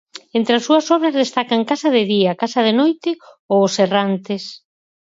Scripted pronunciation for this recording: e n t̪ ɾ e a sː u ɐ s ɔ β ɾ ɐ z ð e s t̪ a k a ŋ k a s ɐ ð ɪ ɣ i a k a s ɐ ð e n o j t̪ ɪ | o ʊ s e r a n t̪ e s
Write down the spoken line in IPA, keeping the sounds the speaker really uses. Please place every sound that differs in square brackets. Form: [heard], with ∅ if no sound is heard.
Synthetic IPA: e n t̪ ɾ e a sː u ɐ s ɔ β ɾ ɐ z ð e s t̪ a k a ŋ k a s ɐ ð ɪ [ð] i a k a s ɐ ð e n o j t̪ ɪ | o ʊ s e r a n t̪ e s